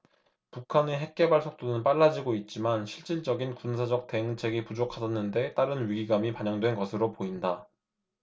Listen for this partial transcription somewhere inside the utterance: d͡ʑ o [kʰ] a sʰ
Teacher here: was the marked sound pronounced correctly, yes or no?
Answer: yes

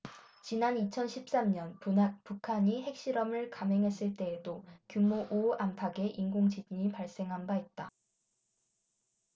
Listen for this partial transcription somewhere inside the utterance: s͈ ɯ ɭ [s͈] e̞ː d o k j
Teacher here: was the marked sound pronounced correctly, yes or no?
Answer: no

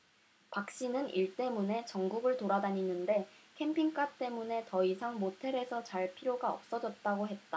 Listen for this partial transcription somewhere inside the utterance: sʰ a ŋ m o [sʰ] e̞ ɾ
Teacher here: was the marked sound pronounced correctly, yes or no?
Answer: no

